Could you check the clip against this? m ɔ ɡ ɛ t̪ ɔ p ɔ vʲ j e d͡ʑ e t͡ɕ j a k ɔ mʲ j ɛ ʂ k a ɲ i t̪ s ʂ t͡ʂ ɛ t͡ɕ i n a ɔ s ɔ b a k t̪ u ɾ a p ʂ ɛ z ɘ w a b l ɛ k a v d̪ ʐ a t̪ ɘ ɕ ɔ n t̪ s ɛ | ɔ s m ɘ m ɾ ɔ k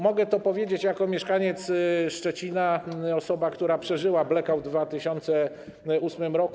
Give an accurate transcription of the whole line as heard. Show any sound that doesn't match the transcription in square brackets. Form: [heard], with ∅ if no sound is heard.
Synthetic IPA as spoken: m ɔ ɡ ɛ t̪ ɔ p ɔ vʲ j e d͡ʑ e t͡ɕ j a k ɔ mʲ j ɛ ʂ k a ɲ [ɛ] t̪ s ʂ t͡ʂ ɛ t͡ɕ i n a ɔ s ɔ b a k t̪ u ɾ a p ʂ ɛ [ʐ] ɘ w a b l ɛ k a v d̪ [v] a t̪ ɘ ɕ ɔ n t̪ s ɛ | [u] s m ɘ m ɾ ɔ k

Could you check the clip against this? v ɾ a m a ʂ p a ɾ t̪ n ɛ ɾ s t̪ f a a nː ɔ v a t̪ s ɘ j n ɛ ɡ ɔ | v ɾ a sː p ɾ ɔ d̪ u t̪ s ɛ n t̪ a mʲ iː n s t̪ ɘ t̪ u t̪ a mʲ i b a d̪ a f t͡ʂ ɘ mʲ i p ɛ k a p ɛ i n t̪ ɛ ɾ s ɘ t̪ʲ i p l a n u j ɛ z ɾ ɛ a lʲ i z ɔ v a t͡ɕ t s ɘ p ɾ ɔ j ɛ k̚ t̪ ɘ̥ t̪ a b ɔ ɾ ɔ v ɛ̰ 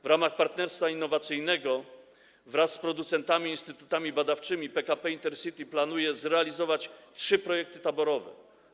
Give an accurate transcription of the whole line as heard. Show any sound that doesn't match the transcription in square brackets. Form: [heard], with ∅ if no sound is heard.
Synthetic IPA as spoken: v ɾ a m a [x] p a ɾ t̪ n ɛ ɾ s t̪ f a [i] nː ɔ v a t̪ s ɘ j n ɛ ɡ ɔ | v ɾ a sː p ɾ ɔ d̪ u t̪ s ɛ n t̪ a mʲ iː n s t̪ ɘ t̪ u t̪ a mʲ i b a d̪ a f t͡ʂ ɘ mʲ i p ɛ k a p ɛ i n t̪ ɛ ɾ s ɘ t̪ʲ i p l a n u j ɛ z ɾ ɛ a lʲ i z ɔ v a t͡ɕ t [ʂ] ɘ p ɾ ɔ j ɛ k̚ t̪ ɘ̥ t̪ a b ɔ ɾ ɔ v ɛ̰

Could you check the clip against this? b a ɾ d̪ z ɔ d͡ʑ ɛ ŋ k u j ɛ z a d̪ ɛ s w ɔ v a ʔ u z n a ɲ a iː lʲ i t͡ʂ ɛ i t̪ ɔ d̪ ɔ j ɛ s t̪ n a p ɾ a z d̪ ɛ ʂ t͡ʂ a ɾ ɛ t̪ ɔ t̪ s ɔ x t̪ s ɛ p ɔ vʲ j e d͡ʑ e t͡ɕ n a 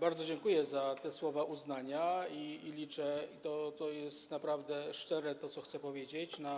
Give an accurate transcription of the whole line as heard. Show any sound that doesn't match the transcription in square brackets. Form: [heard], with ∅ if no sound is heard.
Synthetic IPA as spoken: b a ɾ d̪ z ɔ d͡ʑ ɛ ŋ k u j ɛ z a [t̪] ɛ s w ɔ v a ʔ u z n a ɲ a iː lʲ i t͡ʂ ɛ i t̪ ɔ [t̪] ɔ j ɛ s t̪ n a p ɾ a [v] d̪ ɛ ʂ t͡ʂ [ɛ] ɾ ɛ t̪ ɔ t̪ s ɔ x t̪ s ɛ p ɔ vʲ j e d͡ʑ e t͡ɕ n a

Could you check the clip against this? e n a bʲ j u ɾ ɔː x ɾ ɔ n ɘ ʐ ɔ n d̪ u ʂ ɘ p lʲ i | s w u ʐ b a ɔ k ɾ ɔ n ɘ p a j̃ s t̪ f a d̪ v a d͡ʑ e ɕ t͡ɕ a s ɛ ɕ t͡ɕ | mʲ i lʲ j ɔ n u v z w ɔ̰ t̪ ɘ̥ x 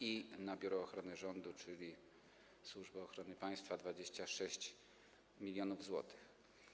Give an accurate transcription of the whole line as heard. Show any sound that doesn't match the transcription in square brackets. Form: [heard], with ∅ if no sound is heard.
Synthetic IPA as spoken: [i] n a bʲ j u ɾ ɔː x ɾ ɔ n ɘ ʐ ɔ n d̪ u [t͡ʂ] ɘ [∅] lʲ i | s w u ʐ b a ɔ [x] ɾ ɔ n ɘ p a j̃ s t̪ f a d̪ v a d͡ʑ e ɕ t͡ɕ a [ʂ] ɛ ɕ t͡ɕ | mʲ i lʲ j ɔ n u v z w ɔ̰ t̪ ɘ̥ x

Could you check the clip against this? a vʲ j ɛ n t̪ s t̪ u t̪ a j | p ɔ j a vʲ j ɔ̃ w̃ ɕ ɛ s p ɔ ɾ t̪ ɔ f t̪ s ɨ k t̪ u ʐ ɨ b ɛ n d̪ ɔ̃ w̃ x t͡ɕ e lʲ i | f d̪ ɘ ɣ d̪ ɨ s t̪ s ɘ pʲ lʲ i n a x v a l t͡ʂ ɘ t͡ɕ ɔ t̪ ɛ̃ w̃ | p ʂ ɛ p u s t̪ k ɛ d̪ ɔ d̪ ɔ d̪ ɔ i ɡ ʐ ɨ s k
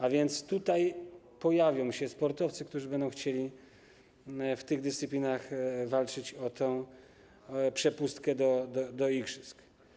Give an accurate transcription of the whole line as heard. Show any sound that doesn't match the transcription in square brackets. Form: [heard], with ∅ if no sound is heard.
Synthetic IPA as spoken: a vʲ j ɛ n t̪ s t̪ u t̪ a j | p ɔ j a vʲ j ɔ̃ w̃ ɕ ɛ s p ɔ ɾ t̪ ɔ f t̪ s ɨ k t̪ u ʐ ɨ b ɛ n d̪ ɔ̃ w̃ x t͡ɕ e lʲ i | f [t̪] ɘ ɣ d̪ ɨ s t̪ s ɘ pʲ lʲ i n a x v a l t͡ʂ ɘ t͡ɕ ɔ t̪ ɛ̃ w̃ | p ʂ ɛ p u s t̪ k ɛ d̪ ɔ d̪ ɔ d̪ ɔ i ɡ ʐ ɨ s k

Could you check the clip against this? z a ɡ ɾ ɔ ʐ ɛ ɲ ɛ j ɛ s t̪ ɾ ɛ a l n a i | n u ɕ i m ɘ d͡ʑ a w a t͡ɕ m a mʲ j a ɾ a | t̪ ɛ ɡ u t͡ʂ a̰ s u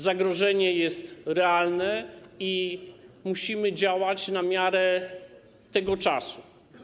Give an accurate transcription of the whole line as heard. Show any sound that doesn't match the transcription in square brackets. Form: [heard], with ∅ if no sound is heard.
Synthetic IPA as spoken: z a ɡ ɾ ɔ ʐ ɛ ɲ ɛ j ɛ s t̪ ɾ ɛ a l n [ɛ] i | [m] u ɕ i m ɘ d͡ʑ a w a t͡ɕ [n] a mʲ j a ɾ [ɛ] | t̪ ɛ ɡ [ɔ] t͡ʂ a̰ s u

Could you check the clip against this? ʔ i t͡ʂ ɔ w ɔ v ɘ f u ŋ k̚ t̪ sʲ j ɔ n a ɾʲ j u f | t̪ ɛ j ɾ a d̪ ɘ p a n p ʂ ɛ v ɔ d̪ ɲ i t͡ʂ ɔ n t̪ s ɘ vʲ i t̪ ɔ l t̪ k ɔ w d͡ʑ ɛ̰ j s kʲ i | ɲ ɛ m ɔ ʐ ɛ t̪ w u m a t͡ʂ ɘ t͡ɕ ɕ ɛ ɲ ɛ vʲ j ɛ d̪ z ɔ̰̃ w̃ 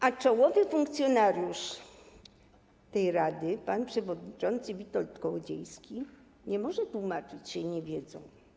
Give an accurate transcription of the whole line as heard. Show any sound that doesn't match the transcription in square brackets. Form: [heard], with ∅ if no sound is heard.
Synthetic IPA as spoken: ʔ [a] t͡ʂ ɔ w ɔ v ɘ f u ŋ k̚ t̪ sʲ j ɔ n a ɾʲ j u [ʂ] | t̪ ɛ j ɾ a d̪ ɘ p a n p ʂ ɛ v ɔ d̪ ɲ i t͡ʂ ɔ n t̪ s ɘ vʲ i t̪ ɔ l t̪ k ɔ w d͡ʑ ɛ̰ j s kʲ i | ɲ ɛ m ɔ ʐ ɛ t̪ w u m a t͡ʂ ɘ t͡ɕ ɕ ɛ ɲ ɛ vʲ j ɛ d̪ z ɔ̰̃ w̃

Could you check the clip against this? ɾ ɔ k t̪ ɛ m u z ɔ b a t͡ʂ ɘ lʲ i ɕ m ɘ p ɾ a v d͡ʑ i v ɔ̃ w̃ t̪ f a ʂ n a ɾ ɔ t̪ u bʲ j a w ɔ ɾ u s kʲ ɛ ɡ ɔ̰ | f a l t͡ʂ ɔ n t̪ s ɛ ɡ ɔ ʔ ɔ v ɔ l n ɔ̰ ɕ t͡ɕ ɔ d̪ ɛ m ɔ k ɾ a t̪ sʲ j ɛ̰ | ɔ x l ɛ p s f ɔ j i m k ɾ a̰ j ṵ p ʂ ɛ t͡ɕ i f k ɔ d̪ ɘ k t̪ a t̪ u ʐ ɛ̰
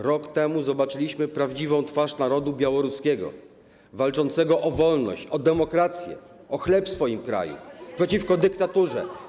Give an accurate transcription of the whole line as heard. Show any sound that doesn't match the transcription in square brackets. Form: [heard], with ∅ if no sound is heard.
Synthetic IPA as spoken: ɾ ɔ k t̪ ɛ m u z ɔ b a t͡ʂ ɘ lʲ i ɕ m ɘ p ɾ a v d͡ʑ i v ɔ̃ w̃ t̪ f a ʂ n a ɾ ɔ [d̪] u bʲ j a w ɔ ɾ u s kʲ ɛ ɡ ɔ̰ | [v] a l t͡ʂ ɔ n t̪ s ɛ ɡ ɔ ʔ ɔ v ɔ l n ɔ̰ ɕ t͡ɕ ɔ d̪ ɛ m ɔ k ɾ a t̪ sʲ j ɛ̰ | ɔ x l ɛ p s f ɔ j i m k ɾ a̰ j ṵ p ʂ ɛ t͡ɕ i f k ɔ d̪ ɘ k t̪ a t̪ u ʐ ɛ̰

